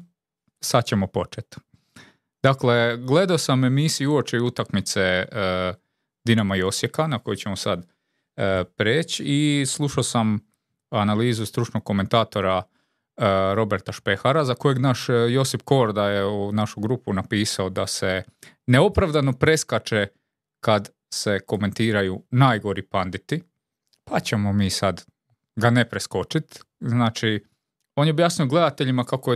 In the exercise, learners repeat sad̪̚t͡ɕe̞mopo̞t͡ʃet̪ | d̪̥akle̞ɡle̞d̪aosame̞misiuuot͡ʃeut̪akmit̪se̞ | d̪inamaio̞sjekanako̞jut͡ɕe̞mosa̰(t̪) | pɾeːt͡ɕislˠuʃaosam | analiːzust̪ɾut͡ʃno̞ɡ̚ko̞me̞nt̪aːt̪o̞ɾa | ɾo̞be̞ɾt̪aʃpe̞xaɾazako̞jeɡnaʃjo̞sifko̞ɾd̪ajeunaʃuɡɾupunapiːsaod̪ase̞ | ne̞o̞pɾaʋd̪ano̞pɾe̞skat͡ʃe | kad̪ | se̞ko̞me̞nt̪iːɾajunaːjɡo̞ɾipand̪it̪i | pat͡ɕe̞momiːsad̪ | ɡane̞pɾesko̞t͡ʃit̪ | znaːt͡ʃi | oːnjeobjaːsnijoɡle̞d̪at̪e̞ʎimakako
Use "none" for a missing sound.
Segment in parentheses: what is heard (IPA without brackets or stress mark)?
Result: d̪